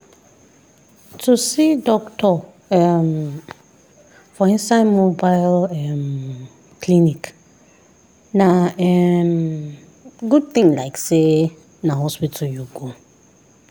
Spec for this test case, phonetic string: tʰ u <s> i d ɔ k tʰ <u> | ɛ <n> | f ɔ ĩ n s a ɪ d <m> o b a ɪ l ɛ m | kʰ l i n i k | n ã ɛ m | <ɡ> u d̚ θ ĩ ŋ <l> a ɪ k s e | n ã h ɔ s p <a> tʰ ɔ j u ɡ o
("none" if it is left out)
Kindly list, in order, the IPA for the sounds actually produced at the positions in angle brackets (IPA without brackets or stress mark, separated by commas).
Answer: s, ɔ, m, m, ɡ, l, i